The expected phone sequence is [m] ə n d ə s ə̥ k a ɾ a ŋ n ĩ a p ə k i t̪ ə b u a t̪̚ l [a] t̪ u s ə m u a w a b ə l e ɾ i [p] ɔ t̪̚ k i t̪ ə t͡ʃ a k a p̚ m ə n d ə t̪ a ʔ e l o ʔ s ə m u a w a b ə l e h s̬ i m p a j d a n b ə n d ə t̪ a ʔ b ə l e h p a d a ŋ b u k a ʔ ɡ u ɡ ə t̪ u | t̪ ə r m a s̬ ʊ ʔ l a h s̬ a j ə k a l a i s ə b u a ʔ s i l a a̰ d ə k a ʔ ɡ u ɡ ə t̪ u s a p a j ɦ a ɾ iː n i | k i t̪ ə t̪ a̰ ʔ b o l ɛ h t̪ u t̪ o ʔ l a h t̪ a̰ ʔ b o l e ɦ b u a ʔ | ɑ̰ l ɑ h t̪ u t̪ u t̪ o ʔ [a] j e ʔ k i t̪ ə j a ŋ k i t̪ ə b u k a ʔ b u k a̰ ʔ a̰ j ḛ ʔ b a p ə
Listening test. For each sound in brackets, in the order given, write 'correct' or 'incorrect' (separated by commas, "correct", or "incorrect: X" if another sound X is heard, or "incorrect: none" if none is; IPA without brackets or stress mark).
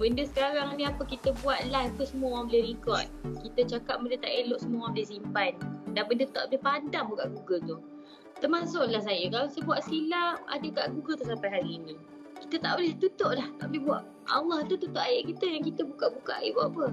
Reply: incorrect: b, correct, incorrect: k, correct